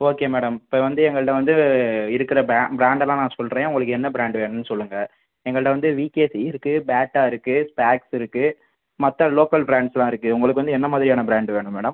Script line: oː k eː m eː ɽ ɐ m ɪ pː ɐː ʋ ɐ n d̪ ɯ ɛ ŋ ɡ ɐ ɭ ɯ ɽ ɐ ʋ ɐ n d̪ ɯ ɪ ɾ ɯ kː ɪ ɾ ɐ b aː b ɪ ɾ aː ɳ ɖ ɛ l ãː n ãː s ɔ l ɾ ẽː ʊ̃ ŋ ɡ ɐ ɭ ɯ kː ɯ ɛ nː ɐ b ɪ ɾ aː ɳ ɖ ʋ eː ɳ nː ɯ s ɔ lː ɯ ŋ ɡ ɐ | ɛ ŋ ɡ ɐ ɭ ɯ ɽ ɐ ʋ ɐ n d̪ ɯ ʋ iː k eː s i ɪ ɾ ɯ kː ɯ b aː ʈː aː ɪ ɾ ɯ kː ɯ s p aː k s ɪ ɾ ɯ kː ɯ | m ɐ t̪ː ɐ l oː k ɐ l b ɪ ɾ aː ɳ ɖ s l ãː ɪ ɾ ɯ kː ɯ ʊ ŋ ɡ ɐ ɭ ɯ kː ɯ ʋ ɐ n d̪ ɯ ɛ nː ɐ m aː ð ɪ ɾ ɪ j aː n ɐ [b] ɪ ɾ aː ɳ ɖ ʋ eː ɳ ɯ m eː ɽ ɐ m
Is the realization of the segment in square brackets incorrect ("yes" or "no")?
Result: no